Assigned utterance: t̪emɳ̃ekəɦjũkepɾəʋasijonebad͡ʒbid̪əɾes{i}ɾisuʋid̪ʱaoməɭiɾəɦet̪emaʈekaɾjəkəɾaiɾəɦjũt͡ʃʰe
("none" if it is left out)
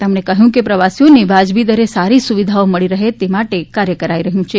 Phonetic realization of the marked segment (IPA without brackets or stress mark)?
a